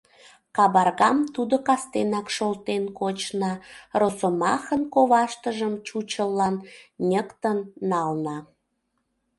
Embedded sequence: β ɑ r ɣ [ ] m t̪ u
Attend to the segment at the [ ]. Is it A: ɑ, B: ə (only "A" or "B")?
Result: A